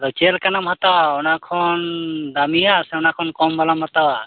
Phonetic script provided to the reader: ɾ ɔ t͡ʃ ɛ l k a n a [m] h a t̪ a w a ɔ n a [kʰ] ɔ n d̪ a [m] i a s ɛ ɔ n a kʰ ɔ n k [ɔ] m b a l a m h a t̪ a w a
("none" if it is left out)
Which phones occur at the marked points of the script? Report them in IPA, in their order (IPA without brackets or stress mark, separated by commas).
m, kʰ, m, ɔ